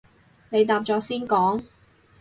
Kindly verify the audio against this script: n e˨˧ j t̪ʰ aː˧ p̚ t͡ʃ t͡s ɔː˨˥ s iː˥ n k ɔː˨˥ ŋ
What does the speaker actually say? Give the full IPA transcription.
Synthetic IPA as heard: n e˨˧ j t̪ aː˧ p̚ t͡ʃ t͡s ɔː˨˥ s iː˥ n k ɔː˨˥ ŋ